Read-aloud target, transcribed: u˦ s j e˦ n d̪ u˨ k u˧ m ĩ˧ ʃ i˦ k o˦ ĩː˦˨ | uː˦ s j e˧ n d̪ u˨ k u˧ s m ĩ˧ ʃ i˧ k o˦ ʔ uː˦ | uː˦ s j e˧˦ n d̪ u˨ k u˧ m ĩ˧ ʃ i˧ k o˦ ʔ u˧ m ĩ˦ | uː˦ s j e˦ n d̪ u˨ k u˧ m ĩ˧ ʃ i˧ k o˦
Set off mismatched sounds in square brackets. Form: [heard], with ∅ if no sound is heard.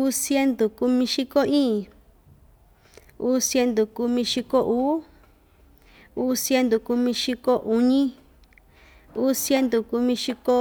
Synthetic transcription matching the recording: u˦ s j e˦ n d̪ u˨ k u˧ m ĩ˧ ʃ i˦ k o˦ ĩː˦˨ | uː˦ s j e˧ n d̪ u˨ k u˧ [∅] m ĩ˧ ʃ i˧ k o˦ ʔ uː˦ | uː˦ s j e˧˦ n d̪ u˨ k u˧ m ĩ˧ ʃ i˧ k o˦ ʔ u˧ [ɲ] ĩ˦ | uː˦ s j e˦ n d̪ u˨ k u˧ m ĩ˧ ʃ i˧ k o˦